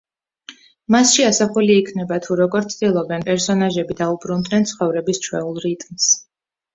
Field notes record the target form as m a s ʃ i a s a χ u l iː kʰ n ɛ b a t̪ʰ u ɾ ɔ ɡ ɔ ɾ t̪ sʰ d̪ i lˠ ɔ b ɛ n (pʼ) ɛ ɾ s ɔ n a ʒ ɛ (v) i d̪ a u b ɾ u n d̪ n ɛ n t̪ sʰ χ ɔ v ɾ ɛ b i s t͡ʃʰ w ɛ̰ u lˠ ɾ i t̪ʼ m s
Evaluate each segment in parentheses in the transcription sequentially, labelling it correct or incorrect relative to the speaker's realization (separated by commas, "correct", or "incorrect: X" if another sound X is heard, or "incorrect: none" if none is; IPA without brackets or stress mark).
correct, incorrect: b